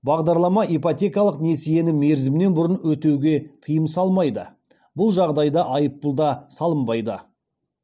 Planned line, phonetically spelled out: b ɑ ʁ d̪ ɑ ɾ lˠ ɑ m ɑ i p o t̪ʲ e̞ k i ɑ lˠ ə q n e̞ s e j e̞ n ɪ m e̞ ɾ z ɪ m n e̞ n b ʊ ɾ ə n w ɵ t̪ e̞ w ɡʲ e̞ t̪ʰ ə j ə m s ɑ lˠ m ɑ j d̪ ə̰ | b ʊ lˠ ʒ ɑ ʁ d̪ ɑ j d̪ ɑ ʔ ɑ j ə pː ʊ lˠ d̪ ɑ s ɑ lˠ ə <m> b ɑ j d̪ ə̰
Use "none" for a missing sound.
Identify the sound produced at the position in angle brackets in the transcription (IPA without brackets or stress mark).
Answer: m